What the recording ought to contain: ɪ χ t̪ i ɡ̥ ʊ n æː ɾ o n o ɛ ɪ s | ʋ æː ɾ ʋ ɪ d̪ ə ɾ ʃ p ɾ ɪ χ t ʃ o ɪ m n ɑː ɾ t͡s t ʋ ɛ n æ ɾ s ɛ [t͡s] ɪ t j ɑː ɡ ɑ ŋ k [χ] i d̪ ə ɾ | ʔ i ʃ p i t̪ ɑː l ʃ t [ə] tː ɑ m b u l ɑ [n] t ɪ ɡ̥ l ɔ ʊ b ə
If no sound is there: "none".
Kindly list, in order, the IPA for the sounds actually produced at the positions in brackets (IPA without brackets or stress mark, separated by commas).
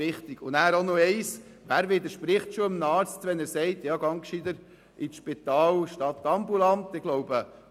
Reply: none, ʃ, ɑ, n